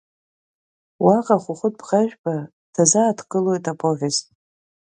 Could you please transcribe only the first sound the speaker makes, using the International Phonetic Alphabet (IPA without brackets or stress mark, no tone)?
w